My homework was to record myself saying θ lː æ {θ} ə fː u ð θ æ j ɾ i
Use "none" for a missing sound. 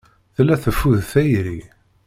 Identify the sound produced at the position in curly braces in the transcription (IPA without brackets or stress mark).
θ